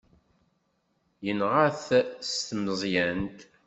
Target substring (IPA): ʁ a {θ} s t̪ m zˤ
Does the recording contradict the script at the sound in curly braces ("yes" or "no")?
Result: no